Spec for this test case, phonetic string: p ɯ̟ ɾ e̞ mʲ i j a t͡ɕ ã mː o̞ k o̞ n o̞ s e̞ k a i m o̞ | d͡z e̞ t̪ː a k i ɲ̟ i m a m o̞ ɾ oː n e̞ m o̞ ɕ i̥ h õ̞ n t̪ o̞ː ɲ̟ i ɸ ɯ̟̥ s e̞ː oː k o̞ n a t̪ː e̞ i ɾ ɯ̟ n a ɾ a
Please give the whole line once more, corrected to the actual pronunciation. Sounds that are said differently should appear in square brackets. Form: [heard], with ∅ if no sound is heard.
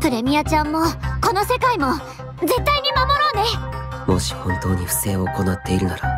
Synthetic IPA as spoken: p ɯ̟ ɾ e̞ mʲ i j a t͡ɕ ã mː o̞ k o̞ n o̞ s e̞ k a i m o̞ | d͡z e̞ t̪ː a [∅] i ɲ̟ i m a m o̞ ɾ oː n e̞ m o̞ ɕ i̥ h õ̞ n t̪ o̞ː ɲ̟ i ɸ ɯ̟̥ s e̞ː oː k o̞ n a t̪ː e̞ i ɾ ɯ̟ n a ɾ a